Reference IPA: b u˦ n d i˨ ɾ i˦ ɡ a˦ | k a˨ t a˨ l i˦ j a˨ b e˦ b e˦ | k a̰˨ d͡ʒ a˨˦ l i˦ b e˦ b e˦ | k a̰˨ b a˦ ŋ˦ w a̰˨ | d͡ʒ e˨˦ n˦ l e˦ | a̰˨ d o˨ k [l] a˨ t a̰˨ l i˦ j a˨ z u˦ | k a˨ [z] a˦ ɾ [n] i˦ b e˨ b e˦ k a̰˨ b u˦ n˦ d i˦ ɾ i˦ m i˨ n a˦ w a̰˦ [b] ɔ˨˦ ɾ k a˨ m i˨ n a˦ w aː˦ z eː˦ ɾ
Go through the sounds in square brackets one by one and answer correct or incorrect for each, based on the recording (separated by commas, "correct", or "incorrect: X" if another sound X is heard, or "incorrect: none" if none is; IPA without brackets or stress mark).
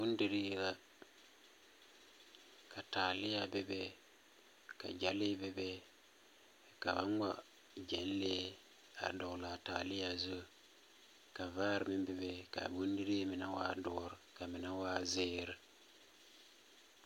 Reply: correct, incorrect: v, incorrect: m, incorrect: d